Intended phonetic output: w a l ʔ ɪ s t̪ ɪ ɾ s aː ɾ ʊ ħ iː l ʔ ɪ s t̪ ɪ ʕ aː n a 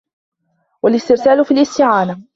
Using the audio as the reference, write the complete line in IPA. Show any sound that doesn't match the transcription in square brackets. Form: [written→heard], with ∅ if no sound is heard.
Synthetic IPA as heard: w a l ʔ ɪ s t̪ ɪ ɾ s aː [ɾ→l] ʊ [ħ→f] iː l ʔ ɪ s t̪ ɪ ʕ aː n a

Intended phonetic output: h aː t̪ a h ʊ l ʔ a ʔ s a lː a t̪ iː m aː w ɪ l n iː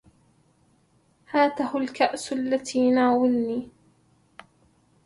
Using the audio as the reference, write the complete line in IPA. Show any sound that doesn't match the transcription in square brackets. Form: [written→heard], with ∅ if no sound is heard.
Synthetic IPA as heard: h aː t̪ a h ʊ l [ʔ→k] a ʔ s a lː a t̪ iː [m→n] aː w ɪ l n iː

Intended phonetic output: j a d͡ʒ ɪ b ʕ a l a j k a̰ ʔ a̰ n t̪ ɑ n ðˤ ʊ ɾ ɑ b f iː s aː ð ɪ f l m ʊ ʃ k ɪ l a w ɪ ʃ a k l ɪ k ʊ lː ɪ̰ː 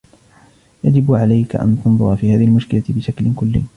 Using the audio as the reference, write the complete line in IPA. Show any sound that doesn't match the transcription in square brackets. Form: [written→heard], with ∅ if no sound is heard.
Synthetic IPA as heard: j a d͡ʒ ɪ b ʕ a l a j k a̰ ʔ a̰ n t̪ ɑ n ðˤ ʊ ɾ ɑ [b→∅] f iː [s→h] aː ð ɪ [f→h] l m ʊ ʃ k ɪ l a [w→b] ɪ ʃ a k l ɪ k ʊ lː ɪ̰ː

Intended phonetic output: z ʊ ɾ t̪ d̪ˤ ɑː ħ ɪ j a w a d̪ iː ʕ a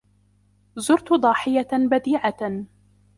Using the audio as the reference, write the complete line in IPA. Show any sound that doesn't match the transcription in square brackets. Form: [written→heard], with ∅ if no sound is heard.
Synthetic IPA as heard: z ʊ ɾ t̪ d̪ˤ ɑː ħ ɪ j a [w→b] a d̪ iː ʕ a

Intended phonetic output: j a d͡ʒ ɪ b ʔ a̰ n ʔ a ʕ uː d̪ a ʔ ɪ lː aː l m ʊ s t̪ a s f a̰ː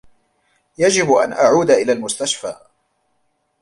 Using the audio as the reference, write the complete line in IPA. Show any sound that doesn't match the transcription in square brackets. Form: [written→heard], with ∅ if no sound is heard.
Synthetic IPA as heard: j a d͡ʒ ɪ b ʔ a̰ n ʔ a ʕ uː d̪ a ʔ ɪ [lː→l] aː l m ʊ s t̪ a [s→ʃ] f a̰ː

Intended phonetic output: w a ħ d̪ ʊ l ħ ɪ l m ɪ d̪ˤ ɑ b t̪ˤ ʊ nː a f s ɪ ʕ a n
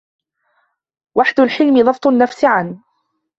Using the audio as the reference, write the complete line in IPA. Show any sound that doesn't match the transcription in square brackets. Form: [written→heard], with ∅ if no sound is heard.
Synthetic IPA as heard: w a ħ d̪ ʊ l ħ ɪ l m ɪ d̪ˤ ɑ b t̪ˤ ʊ nː a f s ɪ ʕ a n

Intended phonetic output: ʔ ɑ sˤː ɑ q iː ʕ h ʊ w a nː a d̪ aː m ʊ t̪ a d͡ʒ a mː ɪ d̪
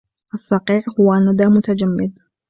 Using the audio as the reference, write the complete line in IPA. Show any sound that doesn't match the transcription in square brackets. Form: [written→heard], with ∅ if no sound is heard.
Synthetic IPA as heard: ʔ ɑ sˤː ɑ q iː ʕ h ʊ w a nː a d̪ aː m ʊ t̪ a d͡ʒ a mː ɪ d̪

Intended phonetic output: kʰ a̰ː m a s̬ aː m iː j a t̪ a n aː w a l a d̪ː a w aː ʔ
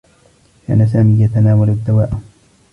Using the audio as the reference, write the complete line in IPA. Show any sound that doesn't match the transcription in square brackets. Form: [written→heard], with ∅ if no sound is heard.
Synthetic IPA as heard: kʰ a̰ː [m→n] a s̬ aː m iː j a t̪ a n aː w a l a d̪ː a w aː ʔ

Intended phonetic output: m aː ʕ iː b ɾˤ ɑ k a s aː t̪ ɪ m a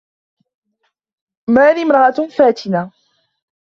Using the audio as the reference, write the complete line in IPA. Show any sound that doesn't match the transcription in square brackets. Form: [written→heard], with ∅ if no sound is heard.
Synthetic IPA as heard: m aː [ʕ→ð] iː [b→m] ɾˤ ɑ [k→ʔ] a [s→f] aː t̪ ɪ [m→n] a

